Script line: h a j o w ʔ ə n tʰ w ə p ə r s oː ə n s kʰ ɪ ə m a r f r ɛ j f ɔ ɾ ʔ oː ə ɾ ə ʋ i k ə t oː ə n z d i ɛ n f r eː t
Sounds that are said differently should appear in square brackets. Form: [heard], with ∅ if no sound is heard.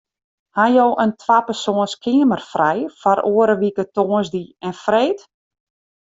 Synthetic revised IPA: h a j o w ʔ ə n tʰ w [a] p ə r s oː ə n s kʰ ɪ ə m [ə] r f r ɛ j f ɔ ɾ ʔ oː ə ɾ ə ʋ i k ə t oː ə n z d i ɛ n f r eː t